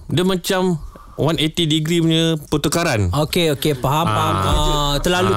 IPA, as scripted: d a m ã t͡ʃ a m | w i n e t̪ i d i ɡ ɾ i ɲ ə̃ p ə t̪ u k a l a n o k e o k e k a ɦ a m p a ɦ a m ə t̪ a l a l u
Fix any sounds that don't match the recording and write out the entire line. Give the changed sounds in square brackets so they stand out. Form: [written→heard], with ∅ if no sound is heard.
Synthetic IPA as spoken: d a m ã t͡ʃ a m | w [i→a] n e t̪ i d i ɡ ɾ i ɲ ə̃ p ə t̪ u k a [l→ɾ] a n o k e o k e [k→p] a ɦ a m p a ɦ a m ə t̪ [a→ə] l a l u